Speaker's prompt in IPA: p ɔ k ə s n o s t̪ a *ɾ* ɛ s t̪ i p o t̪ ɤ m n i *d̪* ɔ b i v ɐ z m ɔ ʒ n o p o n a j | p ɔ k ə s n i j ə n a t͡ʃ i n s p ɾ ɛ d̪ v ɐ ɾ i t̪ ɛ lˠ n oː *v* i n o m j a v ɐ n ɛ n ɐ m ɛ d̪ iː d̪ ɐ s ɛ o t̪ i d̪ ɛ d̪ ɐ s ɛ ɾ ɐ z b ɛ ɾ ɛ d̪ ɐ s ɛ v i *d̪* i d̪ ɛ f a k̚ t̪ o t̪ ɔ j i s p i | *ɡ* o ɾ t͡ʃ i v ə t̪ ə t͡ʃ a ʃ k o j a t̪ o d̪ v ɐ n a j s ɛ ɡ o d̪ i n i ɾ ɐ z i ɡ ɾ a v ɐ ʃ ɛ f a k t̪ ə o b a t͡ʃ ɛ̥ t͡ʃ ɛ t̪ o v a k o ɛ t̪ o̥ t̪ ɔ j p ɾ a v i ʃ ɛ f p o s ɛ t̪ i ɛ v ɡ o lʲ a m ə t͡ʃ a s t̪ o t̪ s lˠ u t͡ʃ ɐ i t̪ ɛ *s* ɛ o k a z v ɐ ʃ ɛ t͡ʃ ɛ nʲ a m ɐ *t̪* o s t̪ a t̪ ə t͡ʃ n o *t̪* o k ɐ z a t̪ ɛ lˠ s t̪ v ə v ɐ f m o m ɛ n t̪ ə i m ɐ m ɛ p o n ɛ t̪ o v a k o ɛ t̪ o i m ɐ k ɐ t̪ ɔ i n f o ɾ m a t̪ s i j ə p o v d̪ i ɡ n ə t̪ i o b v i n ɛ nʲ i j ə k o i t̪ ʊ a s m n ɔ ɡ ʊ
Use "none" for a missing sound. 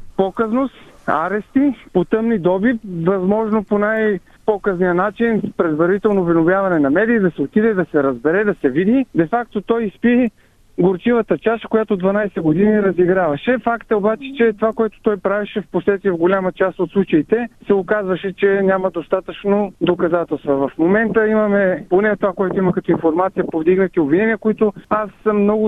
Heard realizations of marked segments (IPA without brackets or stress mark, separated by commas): ɾ, d̪, v, d̪, ɡ, s, d̪, d̪